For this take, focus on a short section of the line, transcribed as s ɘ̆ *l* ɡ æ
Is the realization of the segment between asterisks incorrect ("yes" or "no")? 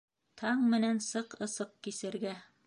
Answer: yes